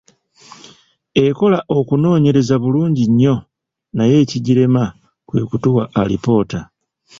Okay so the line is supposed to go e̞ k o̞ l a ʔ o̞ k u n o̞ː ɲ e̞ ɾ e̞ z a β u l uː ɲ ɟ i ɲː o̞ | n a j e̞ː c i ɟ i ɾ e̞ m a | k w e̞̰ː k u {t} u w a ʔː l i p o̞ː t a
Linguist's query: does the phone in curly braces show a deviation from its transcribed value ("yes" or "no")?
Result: no